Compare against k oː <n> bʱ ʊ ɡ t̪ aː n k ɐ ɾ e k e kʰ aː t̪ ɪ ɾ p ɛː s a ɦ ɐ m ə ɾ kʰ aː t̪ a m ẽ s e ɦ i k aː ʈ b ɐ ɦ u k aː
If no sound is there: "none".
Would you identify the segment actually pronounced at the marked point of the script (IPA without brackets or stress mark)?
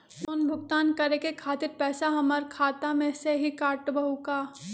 n